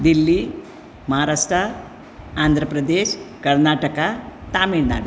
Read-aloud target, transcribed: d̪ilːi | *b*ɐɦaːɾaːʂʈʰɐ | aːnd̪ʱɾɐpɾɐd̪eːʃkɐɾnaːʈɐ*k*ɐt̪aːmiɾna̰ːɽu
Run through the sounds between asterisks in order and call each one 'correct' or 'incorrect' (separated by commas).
incorrect, correct